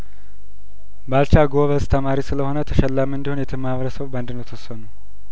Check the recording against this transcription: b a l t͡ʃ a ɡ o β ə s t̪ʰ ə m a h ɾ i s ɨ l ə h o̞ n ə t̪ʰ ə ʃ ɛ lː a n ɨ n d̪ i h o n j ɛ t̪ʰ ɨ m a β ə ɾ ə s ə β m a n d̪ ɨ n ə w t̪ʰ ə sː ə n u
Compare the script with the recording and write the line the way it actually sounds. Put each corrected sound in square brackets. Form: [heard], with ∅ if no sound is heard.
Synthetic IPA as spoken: b a l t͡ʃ a ɡ o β ə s t̪ʰ ə m a [∅] ɾ i s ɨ l ə h o̞ n ə t̪ʰ ə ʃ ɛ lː a [m] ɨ n d̪ i h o n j ɛ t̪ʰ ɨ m a β ə ɾ ə s ə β [b] a n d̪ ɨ n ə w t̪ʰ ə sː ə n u